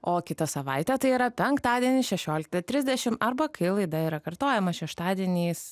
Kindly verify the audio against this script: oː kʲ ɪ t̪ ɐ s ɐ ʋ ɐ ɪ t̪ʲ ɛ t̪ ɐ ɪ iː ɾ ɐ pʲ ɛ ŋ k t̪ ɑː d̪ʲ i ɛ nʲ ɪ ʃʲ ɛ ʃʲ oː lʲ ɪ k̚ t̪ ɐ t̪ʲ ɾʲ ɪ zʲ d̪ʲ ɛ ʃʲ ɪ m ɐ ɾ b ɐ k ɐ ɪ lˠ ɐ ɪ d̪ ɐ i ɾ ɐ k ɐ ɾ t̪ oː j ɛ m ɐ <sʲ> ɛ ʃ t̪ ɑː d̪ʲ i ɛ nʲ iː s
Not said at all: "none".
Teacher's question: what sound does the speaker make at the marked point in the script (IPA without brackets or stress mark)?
ʃʲ